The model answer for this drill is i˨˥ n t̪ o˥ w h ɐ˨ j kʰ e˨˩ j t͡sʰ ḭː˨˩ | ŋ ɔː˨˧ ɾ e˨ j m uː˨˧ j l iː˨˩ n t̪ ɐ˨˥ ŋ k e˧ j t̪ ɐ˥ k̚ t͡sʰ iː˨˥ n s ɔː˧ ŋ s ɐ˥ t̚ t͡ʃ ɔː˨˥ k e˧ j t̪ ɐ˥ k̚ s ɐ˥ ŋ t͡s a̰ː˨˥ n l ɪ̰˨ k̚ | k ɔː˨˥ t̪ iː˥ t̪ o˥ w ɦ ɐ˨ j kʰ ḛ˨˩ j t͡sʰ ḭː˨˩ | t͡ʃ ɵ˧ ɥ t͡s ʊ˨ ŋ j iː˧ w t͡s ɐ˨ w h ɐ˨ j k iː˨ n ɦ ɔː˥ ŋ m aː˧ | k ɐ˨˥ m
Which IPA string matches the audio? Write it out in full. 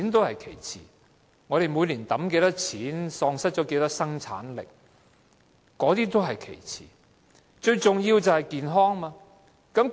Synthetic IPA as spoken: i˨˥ n t̪ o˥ w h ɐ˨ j kʰ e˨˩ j t͡sʰ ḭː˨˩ | ŋ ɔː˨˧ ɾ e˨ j m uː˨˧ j l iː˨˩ n t̪ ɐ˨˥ m k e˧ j t̪ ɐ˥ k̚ t͡sʰ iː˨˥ n s ɔː˧ ŋ s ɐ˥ t̚ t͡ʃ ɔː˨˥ k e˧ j t̪ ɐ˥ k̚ s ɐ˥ ŋ t͡sʰ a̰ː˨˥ n l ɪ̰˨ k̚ | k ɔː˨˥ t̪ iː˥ t̪ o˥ w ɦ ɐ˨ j kʰ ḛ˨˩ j t͡sʰ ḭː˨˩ | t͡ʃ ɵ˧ ɥ t͡s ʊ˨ ŋ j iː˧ w t͡s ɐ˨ w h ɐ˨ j k iː˨ n ɦ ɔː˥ ŋ m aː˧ | k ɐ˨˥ m